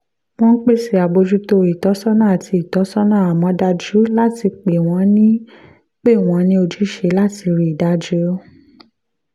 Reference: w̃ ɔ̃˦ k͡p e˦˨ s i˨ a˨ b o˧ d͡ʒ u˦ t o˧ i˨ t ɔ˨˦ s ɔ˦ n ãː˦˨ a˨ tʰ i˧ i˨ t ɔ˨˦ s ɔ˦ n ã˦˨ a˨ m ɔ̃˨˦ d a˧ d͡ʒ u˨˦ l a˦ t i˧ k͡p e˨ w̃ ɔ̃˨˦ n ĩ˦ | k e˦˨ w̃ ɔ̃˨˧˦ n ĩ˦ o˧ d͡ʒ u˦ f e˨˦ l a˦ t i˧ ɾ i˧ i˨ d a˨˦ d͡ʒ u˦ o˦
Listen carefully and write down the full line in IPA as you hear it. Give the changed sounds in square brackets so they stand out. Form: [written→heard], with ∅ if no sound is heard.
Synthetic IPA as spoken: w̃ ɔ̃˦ k͡p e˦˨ s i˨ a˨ b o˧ d͡ʒ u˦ t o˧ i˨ t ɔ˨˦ s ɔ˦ n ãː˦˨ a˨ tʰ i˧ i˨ t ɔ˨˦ s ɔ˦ n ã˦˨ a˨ m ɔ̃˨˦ d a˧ d͡ʒ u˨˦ l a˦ t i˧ k͡p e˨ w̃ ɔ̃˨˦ n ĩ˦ | [k→k͡p] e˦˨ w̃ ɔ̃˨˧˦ n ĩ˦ o˧ d͡ʒ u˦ [f→ʃ] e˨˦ l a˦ t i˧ ɾ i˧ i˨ d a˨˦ d͡ʒ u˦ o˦

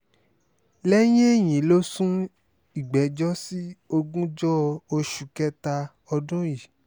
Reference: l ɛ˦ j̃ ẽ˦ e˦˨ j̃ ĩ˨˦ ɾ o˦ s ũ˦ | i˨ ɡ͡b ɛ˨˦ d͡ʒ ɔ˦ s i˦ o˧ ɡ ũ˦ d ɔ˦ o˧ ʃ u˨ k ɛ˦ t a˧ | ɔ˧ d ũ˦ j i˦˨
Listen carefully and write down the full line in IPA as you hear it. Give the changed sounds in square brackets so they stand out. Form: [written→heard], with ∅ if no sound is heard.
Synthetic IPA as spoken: l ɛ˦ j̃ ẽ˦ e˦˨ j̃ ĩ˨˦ [ɾ→l] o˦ s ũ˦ | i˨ ɡ͡b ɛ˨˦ d͡ʒ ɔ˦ s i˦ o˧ ɡ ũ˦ [d→d͡ʒ] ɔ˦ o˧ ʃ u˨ k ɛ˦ t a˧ | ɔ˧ d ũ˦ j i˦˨

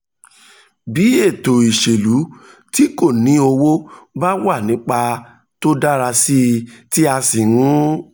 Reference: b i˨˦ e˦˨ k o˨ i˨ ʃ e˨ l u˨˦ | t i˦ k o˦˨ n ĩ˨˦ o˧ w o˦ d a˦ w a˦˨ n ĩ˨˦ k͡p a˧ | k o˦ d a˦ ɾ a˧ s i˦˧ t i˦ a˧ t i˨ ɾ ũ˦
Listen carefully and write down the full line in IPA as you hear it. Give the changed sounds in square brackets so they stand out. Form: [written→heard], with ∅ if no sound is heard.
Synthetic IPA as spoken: b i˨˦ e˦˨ [k→t] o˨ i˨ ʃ e˨ l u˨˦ | t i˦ k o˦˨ n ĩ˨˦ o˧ w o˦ [d→b] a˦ w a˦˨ n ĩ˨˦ k͡p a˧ | [k→t] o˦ d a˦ ɾ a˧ s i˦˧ t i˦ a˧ [t→s] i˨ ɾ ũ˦

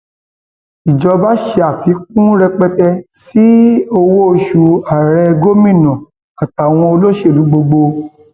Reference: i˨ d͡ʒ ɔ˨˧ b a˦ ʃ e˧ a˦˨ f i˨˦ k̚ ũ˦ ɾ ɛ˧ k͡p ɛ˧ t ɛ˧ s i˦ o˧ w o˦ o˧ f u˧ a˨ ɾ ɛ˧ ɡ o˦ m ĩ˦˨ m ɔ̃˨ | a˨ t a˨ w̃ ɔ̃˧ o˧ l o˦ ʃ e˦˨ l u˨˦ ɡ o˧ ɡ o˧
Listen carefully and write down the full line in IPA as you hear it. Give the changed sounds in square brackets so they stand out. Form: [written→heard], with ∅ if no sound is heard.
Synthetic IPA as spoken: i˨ d͡ʒ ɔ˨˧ b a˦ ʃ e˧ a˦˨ f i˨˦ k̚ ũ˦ ɾ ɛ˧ k͡p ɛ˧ t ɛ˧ s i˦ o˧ w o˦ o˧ [f→ʃ] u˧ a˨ ɾ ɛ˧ ɡ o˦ m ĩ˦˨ [m→n] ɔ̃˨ | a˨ t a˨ w̃ ɔ̃˧ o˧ l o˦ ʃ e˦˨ l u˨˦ [ɡ→ɡ͡b] o˧ [ɡ→ɡ͡b] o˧

